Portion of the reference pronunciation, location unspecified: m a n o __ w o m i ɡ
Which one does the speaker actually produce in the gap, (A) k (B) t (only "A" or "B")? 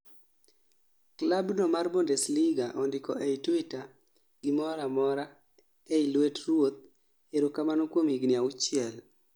A